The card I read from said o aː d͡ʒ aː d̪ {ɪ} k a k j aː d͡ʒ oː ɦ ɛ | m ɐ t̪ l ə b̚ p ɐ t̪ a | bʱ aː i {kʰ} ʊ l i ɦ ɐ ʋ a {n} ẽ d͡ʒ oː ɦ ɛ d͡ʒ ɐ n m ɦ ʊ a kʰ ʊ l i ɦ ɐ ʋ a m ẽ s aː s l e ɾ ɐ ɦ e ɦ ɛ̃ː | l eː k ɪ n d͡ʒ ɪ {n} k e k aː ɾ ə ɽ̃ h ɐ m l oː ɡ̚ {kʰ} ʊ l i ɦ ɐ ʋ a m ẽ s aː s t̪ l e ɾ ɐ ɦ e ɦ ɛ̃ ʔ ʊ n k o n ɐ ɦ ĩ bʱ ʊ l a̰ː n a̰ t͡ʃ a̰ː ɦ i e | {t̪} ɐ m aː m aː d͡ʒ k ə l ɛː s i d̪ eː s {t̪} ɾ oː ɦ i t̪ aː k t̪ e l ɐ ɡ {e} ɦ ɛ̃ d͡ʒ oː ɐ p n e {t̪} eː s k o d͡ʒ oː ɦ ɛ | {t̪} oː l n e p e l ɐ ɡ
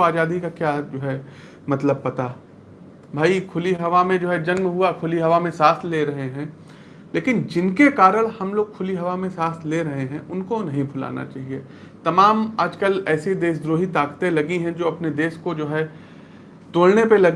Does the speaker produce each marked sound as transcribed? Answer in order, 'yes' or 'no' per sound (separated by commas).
no, yes, no, yes, yes, yes, no, no, no, yes